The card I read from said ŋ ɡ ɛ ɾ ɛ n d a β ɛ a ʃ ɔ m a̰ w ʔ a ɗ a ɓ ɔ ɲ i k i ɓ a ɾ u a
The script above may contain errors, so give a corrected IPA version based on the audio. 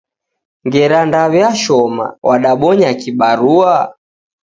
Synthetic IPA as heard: ŋ ɡ ɛ ɾ a n d a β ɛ a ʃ ɔ m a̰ w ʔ a ɗ a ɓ ɔ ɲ a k i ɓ a ɾ u a